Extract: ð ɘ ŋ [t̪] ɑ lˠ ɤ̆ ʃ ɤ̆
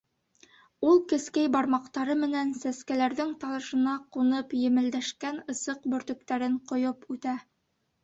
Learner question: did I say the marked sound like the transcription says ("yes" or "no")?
yes